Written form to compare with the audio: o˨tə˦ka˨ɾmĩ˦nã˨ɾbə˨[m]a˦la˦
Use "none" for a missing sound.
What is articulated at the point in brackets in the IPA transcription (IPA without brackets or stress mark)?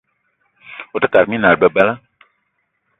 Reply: b